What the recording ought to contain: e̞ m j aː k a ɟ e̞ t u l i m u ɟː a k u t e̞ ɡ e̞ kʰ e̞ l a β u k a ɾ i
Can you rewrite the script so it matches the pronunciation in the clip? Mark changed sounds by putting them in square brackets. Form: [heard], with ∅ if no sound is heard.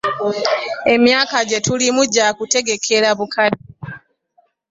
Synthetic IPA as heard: e̞ m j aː k a ɟ e̞ t u l i m u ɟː a k u t e̞ ɡ e̞ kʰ e̞ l a β u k a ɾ i